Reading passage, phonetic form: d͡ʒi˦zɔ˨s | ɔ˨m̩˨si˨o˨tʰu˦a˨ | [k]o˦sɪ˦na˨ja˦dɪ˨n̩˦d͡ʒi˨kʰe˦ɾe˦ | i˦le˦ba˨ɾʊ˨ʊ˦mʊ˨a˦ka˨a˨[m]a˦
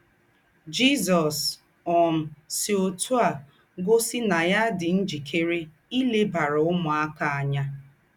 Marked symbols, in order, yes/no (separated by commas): no, no